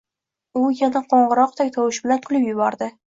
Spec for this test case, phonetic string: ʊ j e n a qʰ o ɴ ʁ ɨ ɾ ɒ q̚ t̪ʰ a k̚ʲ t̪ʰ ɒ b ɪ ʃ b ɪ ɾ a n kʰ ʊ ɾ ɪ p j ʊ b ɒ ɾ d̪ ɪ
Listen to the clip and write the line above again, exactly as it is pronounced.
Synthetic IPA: ʊ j a n a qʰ o ɴ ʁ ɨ ɾ ɒ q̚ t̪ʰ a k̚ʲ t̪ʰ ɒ w ɪ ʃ b ɪ l a n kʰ ʊ l ɪ p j ʊ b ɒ ɾ d̪ ɪ